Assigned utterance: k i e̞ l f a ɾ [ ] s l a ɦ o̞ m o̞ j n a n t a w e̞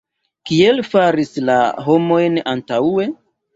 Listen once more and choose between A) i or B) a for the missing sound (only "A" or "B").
A